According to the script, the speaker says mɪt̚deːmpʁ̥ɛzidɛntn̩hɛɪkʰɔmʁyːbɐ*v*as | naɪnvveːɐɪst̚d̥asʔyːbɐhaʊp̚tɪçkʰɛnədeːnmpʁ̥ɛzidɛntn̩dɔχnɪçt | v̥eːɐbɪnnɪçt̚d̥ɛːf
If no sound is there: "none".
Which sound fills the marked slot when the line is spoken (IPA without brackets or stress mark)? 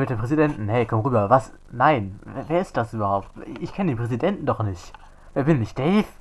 v